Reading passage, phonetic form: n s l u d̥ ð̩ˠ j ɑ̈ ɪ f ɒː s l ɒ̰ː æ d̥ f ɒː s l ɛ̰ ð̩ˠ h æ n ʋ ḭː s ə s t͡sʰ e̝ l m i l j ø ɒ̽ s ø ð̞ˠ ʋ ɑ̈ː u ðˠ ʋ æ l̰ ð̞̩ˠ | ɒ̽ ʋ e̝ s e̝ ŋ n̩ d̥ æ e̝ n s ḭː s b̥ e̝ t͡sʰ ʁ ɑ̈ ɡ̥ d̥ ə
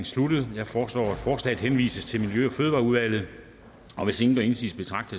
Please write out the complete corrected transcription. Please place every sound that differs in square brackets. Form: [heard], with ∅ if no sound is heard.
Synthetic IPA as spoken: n s l u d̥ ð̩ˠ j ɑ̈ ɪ f ɒː s l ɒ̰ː æ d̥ f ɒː s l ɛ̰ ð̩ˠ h [e] n ʋ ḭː s ə s t͡sʰ e̝ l m i l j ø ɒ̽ [f] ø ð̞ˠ ʋ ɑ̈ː u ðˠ ʋ æ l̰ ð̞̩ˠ | ɒ̽ ʋ e̝ s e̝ ŋ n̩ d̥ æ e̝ n s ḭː s b̥ e̝ t͡sʰ ʁ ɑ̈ ɡ̥ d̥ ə